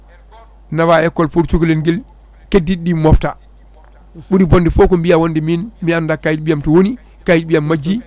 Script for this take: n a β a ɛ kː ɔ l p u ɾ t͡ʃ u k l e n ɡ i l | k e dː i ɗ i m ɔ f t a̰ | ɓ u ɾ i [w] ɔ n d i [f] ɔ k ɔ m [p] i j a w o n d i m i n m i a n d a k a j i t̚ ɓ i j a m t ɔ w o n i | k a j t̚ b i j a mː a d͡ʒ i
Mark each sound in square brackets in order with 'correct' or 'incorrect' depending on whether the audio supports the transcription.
incorrect, correct, incorrect

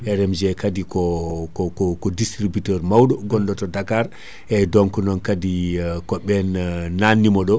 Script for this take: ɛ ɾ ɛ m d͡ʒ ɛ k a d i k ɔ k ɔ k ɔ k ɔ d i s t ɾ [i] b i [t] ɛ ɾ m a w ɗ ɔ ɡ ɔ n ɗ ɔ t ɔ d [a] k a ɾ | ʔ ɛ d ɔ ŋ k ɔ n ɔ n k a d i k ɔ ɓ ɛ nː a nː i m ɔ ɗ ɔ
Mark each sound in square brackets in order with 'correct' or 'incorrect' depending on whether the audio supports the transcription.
correct, correct, correct

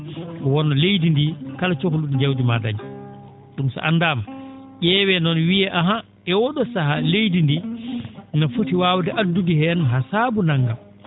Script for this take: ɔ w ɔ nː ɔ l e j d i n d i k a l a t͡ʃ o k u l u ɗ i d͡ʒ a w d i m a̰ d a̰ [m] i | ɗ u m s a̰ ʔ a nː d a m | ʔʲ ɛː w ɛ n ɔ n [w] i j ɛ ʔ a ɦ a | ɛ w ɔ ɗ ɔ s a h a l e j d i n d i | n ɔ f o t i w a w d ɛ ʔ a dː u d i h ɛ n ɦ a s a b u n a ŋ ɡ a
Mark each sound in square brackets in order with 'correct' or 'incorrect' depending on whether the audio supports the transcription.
incorrect, correct

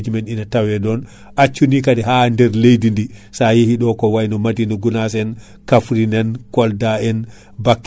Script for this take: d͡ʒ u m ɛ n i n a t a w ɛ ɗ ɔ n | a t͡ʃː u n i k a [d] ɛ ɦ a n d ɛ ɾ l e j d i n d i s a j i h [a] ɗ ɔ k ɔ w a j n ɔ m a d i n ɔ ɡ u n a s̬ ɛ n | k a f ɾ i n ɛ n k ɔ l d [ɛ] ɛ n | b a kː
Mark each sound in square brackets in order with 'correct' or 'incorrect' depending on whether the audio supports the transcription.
correct, incorrect, incorrect

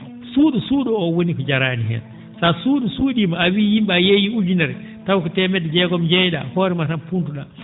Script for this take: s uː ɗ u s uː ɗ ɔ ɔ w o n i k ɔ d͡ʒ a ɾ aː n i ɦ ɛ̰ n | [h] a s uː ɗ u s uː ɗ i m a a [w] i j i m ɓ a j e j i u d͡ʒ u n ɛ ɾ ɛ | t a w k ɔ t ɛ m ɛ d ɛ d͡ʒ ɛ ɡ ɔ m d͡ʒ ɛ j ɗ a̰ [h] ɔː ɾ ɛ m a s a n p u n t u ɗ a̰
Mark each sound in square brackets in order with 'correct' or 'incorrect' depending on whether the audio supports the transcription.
incorrect, correct, correct

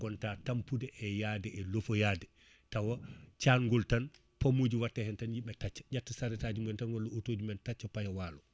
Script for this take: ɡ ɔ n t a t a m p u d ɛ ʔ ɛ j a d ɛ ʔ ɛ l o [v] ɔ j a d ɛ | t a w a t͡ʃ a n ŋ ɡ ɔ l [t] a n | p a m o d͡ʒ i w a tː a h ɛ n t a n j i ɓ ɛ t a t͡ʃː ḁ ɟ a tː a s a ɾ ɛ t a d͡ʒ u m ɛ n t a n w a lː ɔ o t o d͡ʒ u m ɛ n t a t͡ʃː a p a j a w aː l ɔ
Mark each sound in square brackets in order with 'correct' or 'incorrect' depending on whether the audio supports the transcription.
incorrect, correct

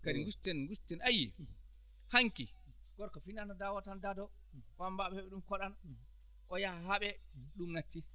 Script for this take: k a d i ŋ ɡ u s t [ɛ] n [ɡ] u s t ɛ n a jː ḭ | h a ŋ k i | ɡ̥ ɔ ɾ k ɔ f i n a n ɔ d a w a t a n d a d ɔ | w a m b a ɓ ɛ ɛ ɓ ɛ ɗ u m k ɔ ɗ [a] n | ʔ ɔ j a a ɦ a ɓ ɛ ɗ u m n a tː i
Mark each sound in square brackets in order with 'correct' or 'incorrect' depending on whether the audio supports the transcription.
correct, correct, correct

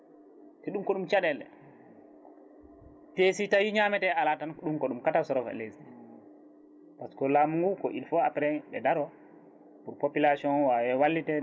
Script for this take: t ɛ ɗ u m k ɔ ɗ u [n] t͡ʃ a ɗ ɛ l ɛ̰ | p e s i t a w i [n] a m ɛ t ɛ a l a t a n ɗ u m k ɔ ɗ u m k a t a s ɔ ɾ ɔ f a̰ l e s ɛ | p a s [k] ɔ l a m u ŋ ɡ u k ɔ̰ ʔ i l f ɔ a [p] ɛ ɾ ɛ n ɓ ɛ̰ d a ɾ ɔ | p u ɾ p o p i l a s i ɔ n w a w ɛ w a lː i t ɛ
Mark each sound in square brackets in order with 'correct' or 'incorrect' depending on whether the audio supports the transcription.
incorrect, incorrect, correct, correct

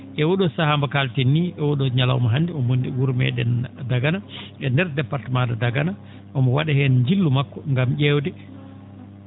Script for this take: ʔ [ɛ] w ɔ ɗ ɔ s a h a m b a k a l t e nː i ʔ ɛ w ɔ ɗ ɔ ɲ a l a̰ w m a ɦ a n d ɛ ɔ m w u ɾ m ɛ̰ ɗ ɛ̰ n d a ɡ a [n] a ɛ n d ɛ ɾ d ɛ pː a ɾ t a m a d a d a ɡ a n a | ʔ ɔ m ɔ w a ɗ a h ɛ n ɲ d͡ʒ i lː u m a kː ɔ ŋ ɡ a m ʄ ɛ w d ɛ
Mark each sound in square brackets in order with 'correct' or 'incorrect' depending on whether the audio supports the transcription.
correct, correct

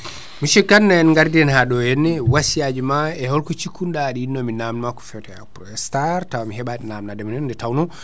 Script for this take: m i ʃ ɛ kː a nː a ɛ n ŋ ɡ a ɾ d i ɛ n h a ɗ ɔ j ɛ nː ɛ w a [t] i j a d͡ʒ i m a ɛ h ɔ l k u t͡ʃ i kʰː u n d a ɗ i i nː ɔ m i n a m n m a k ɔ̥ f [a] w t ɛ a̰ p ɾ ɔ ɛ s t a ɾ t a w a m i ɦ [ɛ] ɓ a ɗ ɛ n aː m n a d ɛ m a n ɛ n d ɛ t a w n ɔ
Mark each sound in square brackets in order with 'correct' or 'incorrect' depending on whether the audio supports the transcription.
incorrect, incorrect, correct

